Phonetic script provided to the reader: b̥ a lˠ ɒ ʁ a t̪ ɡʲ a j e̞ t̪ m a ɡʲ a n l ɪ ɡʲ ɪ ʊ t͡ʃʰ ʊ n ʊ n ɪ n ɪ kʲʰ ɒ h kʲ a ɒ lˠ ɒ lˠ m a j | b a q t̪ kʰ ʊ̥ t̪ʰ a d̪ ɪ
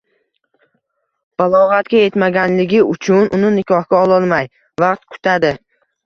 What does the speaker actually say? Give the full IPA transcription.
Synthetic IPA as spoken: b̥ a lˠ ɒ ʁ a t̪ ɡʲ a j e̞ t̪ m a ɡʲ a n l ɪ ɡʲ ɪ ʊ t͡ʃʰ ʊ n ʊ n ɪ n ɪ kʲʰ ɒ h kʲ a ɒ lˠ ɒ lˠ m a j | v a q t̪ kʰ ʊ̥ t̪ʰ a d̪ ɪ